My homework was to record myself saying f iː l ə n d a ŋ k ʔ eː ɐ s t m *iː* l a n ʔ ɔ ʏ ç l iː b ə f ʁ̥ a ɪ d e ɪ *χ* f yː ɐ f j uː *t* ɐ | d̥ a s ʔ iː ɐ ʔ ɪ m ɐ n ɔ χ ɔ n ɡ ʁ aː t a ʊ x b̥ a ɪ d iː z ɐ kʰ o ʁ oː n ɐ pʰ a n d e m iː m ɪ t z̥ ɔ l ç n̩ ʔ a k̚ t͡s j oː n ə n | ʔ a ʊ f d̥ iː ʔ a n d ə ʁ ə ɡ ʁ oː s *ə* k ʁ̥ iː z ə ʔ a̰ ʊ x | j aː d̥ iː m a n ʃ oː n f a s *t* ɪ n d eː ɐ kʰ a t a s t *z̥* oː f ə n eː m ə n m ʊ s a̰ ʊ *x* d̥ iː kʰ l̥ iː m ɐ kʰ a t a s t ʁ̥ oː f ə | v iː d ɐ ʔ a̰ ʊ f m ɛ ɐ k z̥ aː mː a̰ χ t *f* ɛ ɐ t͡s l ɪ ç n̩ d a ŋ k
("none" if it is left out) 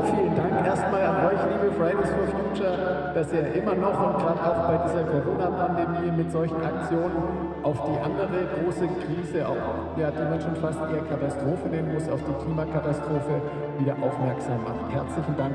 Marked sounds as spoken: aː, s, t͡ʃ, ə, t, ʁ̥, f, h

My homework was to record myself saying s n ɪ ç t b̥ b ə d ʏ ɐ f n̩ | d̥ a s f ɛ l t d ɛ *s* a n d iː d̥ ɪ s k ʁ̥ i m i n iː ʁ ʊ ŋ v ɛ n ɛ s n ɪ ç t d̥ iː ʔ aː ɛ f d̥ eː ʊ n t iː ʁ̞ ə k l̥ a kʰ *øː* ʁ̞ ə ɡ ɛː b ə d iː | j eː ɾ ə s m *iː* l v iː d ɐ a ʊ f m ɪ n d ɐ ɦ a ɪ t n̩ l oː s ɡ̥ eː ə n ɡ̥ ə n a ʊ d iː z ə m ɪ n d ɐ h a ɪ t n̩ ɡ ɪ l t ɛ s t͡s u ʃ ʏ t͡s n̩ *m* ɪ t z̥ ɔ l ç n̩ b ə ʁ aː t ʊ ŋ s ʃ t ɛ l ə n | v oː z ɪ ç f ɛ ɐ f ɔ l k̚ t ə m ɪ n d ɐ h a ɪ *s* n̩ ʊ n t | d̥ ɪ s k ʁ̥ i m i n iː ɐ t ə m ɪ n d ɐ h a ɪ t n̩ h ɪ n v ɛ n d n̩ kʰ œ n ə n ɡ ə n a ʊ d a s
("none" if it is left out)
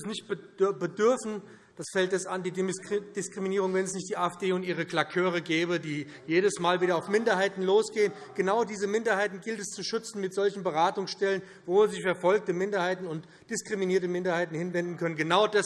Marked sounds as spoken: s, øː, aː, m, t

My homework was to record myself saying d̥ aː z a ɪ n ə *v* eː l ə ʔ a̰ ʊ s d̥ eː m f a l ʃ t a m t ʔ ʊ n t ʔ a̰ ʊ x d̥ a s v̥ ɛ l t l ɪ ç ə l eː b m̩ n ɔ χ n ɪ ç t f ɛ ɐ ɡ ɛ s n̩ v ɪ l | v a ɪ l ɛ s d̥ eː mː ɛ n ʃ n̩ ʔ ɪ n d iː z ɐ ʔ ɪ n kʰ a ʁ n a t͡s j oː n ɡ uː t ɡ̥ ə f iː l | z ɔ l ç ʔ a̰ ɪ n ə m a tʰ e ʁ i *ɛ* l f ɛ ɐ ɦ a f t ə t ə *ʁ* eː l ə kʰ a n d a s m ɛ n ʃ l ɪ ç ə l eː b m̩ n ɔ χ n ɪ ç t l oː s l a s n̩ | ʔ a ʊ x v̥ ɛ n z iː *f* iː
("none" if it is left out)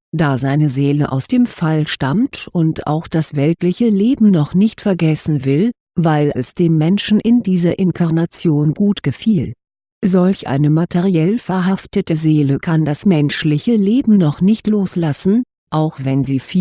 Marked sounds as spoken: z, ɛ, z, f

